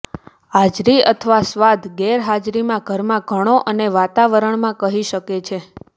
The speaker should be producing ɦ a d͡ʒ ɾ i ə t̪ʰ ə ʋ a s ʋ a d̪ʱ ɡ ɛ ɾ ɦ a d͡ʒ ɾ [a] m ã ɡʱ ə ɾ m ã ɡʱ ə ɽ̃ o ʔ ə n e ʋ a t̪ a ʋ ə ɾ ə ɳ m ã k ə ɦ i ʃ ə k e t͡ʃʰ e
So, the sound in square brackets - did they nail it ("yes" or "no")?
no